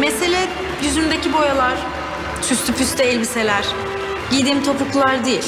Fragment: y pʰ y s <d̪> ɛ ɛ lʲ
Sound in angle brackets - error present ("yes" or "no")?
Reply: yes